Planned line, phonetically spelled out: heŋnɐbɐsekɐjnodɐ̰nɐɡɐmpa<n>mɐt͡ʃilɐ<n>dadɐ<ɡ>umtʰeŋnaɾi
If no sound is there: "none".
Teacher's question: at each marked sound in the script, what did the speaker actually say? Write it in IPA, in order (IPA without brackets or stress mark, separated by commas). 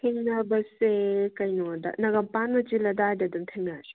n, none, d